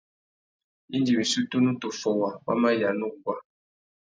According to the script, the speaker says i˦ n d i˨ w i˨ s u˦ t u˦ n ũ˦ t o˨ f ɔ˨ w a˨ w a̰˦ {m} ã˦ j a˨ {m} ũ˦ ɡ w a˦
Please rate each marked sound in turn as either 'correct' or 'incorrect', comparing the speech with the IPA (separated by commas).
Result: correct, incorrect